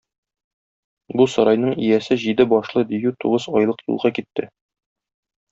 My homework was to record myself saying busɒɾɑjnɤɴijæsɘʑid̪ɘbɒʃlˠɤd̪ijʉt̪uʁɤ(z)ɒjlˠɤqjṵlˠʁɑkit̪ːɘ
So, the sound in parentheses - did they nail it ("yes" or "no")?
yes